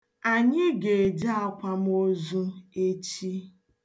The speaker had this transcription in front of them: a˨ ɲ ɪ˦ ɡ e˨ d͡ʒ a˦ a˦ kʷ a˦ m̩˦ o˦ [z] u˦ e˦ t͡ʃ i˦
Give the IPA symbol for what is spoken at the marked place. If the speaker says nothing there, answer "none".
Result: z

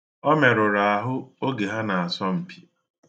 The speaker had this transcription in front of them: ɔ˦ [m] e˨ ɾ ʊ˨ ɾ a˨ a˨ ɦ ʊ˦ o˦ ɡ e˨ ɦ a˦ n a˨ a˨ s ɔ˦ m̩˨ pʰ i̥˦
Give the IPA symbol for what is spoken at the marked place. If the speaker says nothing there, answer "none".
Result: m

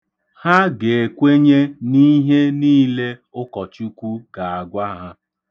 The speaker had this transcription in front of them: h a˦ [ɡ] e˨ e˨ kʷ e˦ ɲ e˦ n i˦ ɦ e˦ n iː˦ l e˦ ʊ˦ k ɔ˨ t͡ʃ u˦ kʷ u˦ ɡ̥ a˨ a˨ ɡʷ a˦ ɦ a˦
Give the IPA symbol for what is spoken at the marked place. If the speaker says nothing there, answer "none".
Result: ɡ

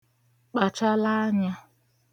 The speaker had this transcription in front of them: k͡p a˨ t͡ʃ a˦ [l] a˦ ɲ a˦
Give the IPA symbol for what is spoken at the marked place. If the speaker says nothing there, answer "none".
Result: l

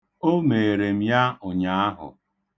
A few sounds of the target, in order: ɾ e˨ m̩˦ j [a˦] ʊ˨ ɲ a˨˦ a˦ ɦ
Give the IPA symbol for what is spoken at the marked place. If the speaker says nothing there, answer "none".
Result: a˦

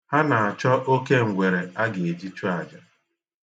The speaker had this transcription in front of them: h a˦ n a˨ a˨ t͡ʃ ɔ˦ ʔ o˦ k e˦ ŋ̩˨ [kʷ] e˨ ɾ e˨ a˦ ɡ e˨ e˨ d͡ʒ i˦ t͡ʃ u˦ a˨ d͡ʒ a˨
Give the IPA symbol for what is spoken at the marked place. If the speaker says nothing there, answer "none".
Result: ɡʷ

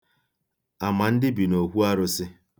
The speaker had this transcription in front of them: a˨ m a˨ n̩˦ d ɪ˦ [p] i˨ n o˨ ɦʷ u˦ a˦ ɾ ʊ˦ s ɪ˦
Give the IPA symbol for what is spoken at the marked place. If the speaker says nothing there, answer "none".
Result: b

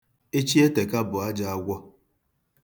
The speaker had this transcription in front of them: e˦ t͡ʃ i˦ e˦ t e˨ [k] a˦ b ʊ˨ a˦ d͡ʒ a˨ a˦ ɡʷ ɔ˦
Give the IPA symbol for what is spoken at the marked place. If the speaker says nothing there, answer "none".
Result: k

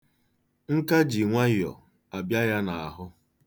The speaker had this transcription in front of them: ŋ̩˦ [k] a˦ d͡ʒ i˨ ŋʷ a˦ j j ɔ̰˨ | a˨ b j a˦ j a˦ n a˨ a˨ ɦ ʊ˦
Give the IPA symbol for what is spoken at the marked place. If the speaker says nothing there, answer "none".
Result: k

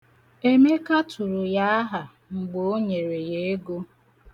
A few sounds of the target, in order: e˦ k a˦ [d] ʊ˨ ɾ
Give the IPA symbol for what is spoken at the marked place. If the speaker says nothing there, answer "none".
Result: t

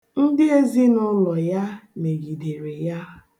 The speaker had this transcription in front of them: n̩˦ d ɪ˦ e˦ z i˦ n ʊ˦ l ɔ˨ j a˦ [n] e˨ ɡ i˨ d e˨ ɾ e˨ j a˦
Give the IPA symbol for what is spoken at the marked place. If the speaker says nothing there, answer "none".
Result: m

